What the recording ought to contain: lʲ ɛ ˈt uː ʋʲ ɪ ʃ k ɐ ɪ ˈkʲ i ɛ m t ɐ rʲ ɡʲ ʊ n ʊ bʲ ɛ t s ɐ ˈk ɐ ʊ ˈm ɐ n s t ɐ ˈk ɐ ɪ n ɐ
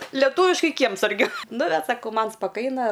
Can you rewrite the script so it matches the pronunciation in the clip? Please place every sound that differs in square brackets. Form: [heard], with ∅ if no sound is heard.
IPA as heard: lʲ ɛ ˈt uː ʋʲ ɪ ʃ k ɐ ɪ ˈkʲ i ɛ m [s] ɐ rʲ ɡʲ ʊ n ʊ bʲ ɛ t s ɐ ˈk ɐ ʊ ˈm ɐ n s [p] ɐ ˈk ɐ ɪ n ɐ